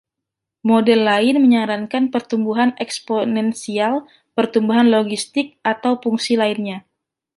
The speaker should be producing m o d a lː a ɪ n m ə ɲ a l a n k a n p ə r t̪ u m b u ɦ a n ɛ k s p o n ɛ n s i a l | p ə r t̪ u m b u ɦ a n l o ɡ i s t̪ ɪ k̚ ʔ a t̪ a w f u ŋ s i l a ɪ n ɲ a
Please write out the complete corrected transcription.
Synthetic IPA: m o d ɛ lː a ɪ n m ə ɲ a ɾ a n k a n p ə r t̪ u m b u ɦ a n ɛ k s p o n ɛ n s i a l | p ə r t̪ u m b u ɦ a n l o ɡ i s t̪ ɪ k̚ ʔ a t̪ a w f u ŋ s i l a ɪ n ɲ a